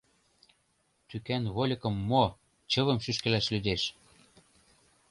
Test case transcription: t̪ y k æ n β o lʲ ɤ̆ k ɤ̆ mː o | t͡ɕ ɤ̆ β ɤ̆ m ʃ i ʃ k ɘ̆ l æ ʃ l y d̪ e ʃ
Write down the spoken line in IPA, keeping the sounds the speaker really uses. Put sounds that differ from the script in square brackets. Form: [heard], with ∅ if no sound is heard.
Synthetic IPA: t̪ y k æ n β o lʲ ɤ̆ k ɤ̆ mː o | t͡ɕ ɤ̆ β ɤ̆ m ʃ [y] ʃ k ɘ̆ l æ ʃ l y d̪ e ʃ